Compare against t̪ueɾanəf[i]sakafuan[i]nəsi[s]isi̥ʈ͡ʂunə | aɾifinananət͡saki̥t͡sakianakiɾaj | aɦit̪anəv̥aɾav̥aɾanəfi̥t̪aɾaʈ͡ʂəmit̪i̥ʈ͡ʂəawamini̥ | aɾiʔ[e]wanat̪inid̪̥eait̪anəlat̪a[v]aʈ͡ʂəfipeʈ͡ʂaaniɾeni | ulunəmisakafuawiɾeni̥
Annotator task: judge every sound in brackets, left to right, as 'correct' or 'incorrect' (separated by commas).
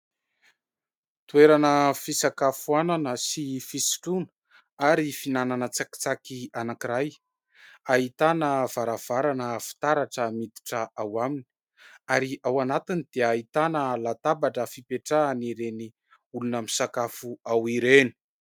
correct, incorrect, incorrect, incorrect, incorrect